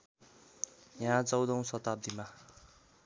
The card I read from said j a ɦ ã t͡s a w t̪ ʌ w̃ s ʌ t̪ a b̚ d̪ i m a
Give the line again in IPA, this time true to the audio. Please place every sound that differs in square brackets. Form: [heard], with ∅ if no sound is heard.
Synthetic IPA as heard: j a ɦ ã t͡s [ʌ] w [d̪] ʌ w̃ s ʌ t̪ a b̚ d̪ i m a